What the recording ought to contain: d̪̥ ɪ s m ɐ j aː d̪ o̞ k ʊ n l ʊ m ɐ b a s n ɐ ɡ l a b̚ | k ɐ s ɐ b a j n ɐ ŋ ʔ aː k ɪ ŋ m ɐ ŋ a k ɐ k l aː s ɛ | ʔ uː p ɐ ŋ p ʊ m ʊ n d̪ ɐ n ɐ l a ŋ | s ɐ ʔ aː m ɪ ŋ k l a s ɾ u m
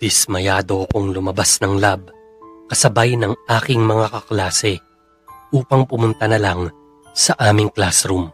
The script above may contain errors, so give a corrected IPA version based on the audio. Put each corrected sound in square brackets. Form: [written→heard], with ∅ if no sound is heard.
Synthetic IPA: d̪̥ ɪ s m ɐ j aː d̪ o̞ k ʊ [n→ŋ] l ʊ m ɐ b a s n ɐ [ɡ→ŋ] l a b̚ | k ɐ s ɐ b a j n ɐ ŋ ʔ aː k ɪ ŋ m ɐ ŋ a k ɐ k l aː s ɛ | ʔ uː p ɐ ŋ p ʊ m ʊ n [d̪→t̪] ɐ n ɐ l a ŋ | s ɐ ʔ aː m ɪ ŋ k l a s ɾ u m